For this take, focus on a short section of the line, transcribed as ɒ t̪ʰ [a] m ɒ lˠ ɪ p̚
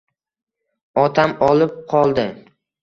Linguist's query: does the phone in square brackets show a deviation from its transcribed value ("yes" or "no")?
no